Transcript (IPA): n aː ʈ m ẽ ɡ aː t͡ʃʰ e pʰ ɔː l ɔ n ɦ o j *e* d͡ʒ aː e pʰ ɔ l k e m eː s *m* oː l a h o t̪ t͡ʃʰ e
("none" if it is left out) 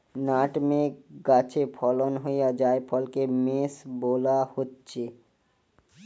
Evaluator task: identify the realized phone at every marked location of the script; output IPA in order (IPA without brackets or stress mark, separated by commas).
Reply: a, b